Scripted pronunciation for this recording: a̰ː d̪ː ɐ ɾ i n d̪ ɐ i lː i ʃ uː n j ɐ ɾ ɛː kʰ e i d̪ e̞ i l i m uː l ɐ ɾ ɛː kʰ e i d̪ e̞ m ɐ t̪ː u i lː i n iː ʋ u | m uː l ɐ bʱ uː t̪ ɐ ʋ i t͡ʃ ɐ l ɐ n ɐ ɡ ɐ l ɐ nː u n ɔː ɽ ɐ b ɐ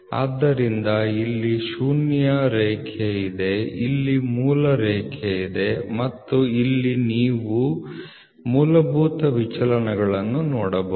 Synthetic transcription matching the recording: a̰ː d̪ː ɐ ɾ i n d̪ ɐ i lː i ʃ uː n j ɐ ɾ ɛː kʰ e i d̪ e̞ i lː i m uː l ɐ ɾ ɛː kʰ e i d̪ e̞ m ɐ t̪ː u i lː i n iː ʋ u | m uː l ɐ bʱ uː t̪ ɐ ʋ i t͡ʃ ɐ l ɐ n ɐ ɡ ɐ ɭ ɐ nː u n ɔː ɽ ɐ b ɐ